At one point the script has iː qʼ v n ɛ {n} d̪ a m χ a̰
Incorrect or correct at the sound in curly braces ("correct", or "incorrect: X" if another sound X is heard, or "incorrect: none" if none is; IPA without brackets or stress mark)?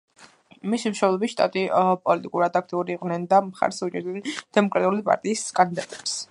correct